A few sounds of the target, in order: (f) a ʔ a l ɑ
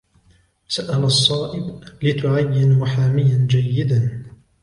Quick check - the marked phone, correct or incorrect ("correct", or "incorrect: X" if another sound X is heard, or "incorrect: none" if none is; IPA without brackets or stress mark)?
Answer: incorrect: s